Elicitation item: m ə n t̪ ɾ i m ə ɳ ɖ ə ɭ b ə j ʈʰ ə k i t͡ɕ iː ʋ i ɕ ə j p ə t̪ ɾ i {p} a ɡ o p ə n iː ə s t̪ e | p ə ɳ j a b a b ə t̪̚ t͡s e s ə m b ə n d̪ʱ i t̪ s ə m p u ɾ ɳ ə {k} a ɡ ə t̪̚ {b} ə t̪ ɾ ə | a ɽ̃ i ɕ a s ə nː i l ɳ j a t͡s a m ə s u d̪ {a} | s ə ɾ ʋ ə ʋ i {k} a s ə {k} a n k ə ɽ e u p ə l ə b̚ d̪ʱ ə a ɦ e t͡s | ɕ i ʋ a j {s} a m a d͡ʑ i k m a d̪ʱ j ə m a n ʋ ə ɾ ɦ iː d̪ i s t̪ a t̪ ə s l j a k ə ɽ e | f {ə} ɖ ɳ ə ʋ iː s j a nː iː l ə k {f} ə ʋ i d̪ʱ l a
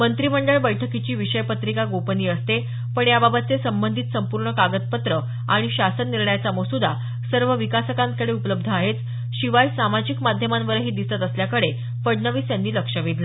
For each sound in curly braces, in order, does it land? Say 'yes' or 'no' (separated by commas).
no, yes, no, yes, yes, yes, yes, yes, no